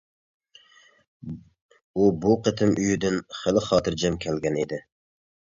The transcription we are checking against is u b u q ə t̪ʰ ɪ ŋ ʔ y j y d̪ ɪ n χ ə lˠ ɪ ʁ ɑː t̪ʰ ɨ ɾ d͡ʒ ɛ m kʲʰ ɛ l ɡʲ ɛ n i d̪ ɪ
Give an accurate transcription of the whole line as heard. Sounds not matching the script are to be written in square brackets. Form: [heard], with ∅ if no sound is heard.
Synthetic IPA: u b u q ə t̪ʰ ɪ [m] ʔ y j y d̪ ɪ n χ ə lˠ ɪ [χ] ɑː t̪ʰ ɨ ɾ d͡ʒ ɛ m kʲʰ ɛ l ɡʲ ɛ n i d̪ ɪ